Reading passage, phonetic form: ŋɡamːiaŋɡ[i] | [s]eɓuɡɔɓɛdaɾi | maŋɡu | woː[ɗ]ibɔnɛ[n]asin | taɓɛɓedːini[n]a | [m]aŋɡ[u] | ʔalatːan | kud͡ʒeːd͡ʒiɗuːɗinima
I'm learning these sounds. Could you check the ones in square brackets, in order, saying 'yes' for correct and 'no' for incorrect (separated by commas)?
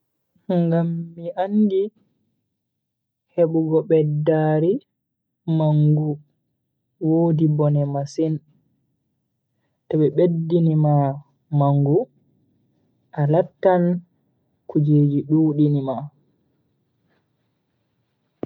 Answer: yes, no, no, no, no, yes, yes